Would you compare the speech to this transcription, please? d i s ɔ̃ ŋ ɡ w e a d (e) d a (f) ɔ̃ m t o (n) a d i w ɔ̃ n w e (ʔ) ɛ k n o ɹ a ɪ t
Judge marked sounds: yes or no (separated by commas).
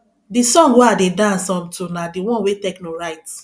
yes, no, yes, no